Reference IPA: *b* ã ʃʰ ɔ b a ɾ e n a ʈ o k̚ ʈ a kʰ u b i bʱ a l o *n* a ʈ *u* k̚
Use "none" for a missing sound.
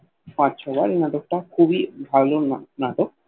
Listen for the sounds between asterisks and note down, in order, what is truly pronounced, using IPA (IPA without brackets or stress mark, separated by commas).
p, n, o